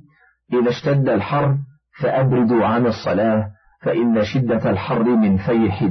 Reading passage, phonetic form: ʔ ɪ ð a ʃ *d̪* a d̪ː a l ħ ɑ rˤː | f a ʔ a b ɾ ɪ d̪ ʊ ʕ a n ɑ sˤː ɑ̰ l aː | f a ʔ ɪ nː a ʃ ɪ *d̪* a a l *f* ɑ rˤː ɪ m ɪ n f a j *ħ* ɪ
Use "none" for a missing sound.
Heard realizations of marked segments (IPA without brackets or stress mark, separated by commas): t̪, d̪ː, ħ, ħ